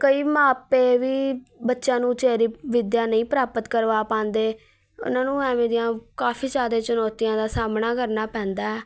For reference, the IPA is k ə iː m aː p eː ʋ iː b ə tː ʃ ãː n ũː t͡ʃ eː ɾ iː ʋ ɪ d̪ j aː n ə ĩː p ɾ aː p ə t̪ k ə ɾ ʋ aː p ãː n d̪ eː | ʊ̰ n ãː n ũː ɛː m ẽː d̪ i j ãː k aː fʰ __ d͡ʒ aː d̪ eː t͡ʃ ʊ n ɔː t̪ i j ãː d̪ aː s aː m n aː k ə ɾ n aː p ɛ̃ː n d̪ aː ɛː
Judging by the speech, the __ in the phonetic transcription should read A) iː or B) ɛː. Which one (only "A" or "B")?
A